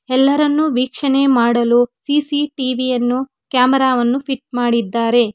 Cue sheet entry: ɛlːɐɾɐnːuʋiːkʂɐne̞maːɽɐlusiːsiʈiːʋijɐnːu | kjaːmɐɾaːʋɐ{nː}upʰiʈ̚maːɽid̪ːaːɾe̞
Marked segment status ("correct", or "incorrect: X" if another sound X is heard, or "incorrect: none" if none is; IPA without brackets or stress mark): correct